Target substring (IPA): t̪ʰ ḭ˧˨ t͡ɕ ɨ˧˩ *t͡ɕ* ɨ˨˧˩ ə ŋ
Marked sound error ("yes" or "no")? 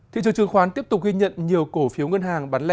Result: no